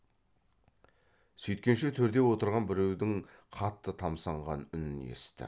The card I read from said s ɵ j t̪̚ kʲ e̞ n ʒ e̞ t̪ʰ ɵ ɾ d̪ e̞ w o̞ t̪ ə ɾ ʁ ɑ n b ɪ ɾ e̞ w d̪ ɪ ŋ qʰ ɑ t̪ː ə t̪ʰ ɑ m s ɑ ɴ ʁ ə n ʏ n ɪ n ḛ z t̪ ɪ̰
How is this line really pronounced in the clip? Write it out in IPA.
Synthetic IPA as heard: s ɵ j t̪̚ kʲ e̞ n ʃ e̞ t̪ʰ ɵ ɾ d̪ e̞ w o̞ t̪ ə ɾ ʁ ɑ n b ɪ ɾ e̞ w d̪ ɪ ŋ qʰ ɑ t̪ː ə t̪ʰ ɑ m s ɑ ɴ ʁ ɑ n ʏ n ɪ n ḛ s t̪ ɪ̰